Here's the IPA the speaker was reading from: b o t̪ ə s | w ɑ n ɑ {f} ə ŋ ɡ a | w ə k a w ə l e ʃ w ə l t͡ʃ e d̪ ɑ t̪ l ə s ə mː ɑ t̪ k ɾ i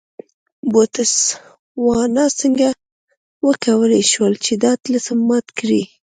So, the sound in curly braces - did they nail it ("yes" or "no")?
no